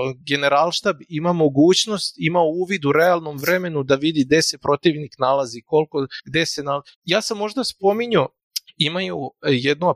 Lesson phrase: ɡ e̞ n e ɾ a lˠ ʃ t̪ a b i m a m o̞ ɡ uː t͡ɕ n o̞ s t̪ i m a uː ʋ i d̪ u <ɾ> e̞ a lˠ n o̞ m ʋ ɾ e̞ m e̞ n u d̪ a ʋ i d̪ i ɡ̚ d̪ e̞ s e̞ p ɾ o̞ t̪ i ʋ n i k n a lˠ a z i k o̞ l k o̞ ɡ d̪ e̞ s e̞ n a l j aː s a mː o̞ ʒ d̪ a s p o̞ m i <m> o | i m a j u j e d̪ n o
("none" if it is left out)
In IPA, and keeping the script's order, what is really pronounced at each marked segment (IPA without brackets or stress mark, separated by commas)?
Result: ɾ, ɲ